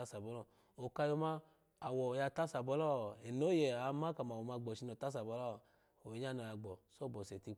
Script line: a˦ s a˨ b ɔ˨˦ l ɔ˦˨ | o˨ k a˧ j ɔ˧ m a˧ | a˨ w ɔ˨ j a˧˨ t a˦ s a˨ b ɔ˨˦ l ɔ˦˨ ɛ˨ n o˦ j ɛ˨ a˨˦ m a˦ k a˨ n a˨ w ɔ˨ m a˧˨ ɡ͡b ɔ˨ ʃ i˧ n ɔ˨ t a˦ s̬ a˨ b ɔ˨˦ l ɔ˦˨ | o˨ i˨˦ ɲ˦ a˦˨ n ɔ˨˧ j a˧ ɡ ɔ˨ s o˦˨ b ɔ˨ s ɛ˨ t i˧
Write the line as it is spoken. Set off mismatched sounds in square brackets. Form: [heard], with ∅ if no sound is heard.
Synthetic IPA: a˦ s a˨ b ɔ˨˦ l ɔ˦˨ | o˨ k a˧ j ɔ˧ m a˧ | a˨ w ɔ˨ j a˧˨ t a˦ s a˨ b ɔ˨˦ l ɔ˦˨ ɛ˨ n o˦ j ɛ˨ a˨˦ m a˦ k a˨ [m] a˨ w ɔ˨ m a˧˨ ɡ͡b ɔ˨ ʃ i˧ n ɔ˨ t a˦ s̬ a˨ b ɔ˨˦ l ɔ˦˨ | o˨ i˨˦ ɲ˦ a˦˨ n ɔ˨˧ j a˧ [ɡ͡b] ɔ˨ s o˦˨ b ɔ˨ s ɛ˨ t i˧